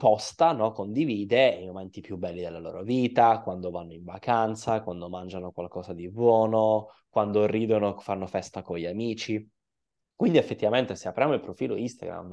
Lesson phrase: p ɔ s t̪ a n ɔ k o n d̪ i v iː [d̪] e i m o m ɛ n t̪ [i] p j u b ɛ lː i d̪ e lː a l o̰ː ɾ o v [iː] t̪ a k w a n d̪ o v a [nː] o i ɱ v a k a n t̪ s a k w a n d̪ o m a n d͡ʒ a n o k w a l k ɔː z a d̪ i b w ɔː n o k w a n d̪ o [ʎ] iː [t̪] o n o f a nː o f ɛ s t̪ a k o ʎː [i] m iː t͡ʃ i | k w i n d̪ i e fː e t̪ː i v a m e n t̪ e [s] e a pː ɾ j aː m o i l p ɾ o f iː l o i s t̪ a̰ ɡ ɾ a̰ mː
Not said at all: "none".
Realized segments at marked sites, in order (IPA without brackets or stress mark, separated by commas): d̪, i, iː, nː, r, d̪, a, s